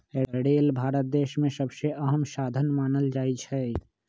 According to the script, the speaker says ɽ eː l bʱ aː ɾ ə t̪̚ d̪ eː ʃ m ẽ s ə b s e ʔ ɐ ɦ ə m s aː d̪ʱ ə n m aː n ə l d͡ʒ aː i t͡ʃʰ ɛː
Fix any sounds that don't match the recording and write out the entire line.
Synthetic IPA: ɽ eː l bʱ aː ɾ ə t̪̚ d̪ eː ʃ m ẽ s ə b s e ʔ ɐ ɦ ə m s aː d̪ʱ ə n m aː n ə l d͡ʒ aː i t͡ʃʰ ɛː